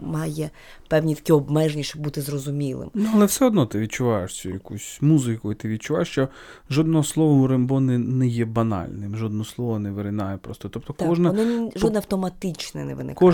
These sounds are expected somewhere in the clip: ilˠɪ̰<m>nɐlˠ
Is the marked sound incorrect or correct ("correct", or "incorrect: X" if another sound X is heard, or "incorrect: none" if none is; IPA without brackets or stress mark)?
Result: correct